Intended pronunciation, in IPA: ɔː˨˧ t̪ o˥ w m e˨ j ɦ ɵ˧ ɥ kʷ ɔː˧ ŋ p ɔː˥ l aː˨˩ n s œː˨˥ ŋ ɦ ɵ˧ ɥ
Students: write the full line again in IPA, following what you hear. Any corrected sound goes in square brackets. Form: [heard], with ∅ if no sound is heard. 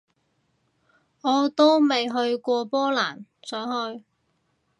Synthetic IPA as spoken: ɔː˨˧ t̪ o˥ w m e˨ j ɦ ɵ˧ ɥ kʷ ɔː˧ [∅] p ɔː˥ l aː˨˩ n s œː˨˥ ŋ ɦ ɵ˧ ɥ